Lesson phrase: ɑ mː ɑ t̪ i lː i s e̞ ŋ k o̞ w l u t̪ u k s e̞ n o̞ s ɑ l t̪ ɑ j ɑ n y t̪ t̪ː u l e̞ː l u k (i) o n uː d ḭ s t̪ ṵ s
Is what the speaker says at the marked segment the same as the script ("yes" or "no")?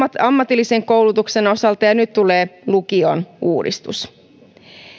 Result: yes